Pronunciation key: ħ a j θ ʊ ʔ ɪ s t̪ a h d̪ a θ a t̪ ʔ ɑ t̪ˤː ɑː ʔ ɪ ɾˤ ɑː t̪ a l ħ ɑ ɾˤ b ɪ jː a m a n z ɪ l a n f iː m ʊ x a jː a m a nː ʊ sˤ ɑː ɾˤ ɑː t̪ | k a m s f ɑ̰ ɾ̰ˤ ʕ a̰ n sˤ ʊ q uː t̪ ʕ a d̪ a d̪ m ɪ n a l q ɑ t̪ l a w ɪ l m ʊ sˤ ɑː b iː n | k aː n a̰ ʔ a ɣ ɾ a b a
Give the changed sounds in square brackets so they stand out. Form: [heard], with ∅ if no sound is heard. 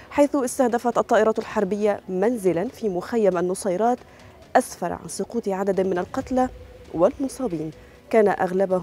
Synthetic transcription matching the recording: ħ a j θ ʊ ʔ ɪ s t̪ a h d̪ a [f] a t̪ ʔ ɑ t̪ˤː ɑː ʔ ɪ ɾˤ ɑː t̪ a l ħ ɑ ɾˤ b ɪ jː a m a n z ɪ l a n f iː m ʊ x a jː a m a nː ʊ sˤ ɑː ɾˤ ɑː t̪ | [ʔ] a [∅] s f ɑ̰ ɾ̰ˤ ʕ a̰ n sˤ ʊ q uː t̪ ʕ a d̪ a d̪ m ɪ n a l q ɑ t̪ l a w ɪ l m ʊ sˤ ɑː b iː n | k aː n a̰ ʔ a ɣ [l] a b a